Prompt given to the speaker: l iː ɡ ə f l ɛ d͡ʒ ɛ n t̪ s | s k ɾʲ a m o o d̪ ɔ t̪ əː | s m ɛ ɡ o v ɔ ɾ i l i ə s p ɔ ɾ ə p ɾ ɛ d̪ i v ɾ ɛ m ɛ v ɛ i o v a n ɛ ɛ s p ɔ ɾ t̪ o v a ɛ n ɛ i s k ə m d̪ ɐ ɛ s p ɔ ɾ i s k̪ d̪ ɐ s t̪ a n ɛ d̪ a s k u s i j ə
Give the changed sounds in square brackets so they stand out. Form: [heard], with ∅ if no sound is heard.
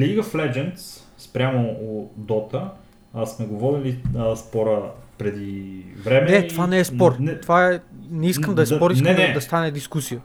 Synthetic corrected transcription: l [i] ɡ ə f l ɛ d͡ʒ ɛ n t̪ s | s [p] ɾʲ a m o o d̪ ɔ t̪ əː | s m ɛ ɡ o v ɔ ɾ i l i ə s p ɔ ɾ ə p ɾ ɛ d̪ i v ɾ ɛ m ɛ [∅] ɛ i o v a n ɛ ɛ s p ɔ ɾ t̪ o v a ɛ n ɛ i s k ə m d̪ ɐ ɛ s p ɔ ɾ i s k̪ d̪ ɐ s t̪ a n ɛ d̪ [i] s k u s i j ə